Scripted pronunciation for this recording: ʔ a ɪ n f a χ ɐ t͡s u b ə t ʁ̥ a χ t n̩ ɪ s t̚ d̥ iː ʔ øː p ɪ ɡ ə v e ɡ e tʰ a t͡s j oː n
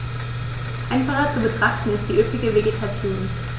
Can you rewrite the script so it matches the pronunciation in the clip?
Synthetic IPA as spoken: ʔ a ɪ n f a χ ɐ t͡s u b ə t ʁ̥ a χ t n̩ ɪ s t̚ d̥ iː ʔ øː p ɪ ɡ ə v e ɡ e tʰ a t͡s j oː n